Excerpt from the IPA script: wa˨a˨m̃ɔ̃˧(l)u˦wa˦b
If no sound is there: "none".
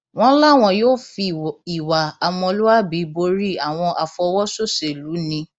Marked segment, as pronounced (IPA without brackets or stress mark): l